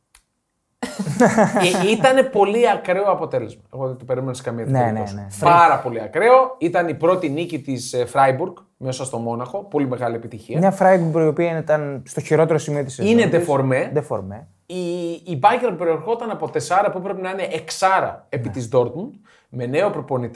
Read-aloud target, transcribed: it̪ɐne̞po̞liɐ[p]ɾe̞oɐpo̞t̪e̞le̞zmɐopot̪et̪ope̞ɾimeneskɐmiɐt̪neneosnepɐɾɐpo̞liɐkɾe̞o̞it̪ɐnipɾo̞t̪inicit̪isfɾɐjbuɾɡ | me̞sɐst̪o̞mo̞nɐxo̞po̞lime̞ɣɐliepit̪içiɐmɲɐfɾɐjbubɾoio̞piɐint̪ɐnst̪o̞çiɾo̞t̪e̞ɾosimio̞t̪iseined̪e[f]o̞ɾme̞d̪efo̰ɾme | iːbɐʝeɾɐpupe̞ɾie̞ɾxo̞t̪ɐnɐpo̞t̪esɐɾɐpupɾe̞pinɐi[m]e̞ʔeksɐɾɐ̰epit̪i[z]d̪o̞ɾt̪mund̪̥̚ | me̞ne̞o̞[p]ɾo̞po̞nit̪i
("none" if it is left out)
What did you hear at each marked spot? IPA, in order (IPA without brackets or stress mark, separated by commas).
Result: k, f, n, z, p